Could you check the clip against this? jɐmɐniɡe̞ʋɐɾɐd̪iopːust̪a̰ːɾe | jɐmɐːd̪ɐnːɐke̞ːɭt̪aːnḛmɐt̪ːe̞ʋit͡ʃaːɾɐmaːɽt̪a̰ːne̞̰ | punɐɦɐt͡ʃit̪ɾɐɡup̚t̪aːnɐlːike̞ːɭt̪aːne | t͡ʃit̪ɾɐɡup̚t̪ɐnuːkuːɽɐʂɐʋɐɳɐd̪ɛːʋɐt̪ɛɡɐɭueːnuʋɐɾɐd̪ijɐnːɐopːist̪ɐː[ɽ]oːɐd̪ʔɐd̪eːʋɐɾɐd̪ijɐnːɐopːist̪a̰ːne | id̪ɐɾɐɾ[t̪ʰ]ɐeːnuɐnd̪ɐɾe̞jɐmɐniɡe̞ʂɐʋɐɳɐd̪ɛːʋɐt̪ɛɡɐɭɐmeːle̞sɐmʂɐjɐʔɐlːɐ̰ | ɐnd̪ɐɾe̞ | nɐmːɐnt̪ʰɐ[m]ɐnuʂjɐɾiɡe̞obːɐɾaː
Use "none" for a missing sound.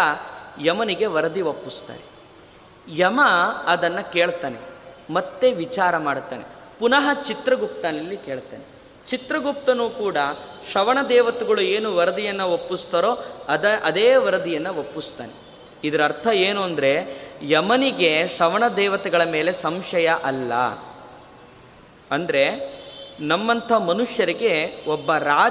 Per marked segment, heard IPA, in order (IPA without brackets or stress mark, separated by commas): ɾ, t̪ʰ, m